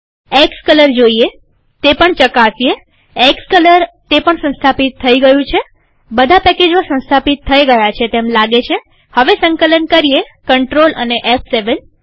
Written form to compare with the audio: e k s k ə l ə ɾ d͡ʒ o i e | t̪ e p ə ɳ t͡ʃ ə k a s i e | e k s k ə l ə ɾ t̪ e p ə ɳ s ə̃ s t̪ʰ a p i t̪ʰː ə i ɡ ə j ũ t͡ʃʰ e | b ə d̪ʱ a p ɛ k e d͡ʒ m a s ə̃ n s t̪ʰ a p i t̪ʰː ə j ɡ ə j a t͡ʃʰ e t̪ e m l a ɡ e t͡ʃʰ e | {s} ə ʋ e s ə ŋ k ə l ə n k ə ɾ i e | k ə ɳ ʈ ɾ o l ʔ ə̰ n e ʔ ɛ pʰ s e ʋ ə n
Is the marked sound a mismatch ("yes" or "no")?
yes